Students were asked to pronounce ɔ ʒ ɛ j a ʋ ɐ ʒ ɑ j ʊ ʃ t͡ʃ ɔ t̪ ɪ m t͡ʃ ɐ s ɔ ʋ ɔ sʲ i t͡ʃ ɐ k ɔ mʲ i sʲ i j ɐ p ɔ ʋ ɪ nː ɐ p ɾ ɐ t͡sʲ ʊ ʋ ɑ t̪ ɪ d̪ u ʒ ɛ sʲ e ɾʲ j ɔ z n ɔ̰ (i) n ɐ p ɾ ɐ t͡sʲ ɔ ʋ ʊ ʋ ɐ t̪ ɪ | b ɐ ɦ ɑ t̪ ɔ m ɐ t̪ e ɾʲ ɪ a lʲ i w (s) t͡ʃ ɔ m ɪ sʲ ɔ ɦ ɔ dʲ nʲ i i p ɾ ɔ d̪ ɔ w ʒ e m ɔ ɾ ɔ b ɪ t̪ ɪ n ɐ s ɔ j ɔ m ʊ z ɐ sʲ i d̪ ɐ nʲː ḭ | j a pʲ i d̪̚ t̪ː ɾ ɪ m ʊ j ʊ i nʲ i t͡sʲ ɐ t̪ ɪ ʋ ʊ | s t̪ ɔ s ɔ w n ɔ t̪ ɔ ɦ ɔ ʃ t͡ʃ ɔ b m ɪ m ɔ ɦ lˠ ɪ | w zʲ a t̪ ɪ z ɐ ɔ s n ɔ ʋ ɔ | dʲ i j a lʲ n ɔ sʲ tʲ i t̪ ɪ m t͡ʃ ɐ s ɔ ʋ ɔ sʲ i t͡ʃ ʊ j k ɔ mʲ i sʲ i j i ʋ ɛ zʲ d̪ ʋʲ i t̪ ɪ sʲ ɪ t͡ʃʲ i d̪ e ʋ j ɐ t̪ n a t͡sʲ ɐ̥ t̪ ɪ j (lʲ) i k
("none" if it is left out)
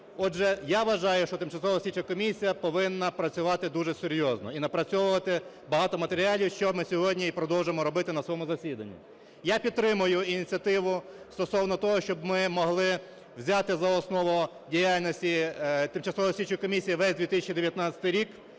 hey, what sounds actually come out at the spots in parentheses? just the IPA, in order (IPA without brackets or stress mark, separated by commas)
i, ʃ, ɾʲ